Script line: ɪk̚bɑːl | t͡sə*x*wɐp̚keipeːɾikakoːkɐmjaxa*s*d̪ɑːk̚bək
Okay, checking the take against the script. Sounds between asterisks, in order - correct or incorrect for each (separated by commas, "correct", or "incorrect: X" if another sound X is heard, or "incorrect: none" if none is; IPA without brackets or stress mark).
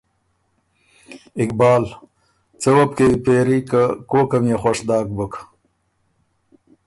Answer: incorrect: none, incorrect: ʂ